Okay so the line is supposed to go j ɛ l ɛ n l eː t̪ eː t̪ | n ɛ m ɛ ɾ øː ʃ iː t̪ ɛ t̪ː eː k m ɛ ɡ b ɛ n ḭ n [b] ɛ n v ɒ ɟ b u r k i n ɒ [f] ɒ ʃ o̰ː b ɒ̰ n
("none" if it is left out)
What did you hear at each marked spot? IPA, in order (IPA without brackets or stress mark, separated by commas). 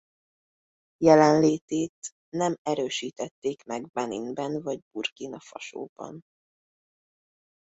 b, f